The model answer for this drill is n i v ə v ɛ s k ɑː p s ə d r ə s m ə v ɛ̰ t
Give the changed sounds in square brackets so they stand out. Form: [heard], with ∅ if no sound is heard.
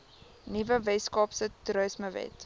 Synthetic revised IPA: n i v ə v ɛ s k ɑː p s ə [t] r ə s m ə v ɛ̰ t

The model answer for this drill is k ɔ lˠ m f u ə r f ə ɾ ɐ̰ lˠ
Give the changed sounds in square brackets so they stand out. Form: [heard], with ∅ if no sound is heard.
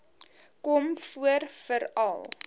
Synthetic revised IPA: k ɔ [∅] m f u ə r f ə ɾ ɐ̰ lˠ

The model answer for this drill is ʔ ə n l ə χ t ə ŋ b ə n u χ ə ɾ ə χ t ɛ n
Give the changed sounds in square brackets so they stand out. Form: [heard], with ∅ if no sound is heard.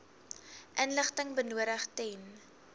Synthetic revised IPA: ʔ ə n l ə χ t ə ŋ b ə n u [∅] ə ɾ ə χ t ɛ n

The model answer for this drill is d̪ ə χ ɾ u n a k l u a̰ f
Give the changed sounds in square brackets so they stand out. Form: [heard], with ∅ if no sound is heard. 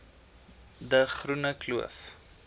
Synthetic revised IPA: d̪ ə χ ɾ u n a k l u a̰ f

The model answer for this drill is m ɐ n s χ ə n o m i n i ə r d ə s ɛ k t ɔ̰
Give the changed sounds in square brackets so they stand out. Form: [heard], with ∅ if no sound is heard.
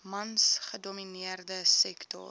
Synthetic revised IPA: m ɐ n s χ ə [d] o m i n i ə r d ə s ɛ k t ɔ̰

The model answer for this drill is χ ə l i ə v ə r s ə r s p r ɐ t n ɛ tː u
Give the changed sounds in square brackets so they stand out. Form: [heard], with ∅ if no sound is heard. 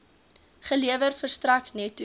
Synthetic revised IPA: χ ə l i ə v ə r [f] ə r s [t] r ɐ [k] n ɛ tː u

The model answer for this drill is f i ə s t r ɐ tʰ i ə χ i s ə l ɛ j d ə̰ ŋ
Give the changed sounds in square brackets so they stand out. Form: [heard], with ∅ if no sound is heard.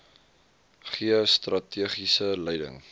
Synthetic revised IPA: [χ] i ə s t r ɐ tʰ i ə χ i s ə l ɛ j d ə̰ ŋ

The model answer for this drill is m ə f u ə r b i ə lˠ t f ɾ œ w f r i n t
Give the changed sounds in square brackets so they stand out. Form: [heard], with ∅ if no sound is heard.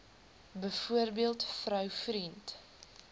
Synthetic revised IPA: [b] ə f u ə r b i ə lˠ t f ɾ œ w f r i n t

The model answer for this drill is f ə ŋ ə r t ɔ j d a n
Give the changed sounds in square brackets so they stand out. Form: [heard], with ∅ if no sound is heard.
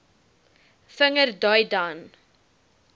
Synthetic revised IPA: f ə ŋ ə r [d] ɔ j d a n

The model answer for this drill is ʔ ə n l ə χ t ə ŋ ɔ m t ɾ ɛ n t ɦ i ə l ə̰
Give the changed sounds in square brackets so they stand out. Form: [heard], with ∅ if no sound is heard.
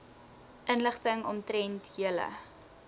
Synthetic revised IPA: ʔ ə n l ə χ t ə ŋ ɔ m t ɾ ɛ n t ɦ i ə l ə̰

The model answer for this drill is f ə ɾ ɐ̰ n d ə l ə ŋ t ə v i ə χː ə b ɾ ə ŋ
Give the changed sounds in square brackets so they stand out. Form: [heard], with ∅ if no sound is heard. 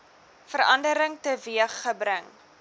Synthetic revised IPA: f ə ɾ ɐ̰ n d ə [ɾ] ə ŋ t ə v i ə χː ə b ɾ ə ŋ

